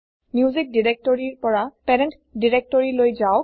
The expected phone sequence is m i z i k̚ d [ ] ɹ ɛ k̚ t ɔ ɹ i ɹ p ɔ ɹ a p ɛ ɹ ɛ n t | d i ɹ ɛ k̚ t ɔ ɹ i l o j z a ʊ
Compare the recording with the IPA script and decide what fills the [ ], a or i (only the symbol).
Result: i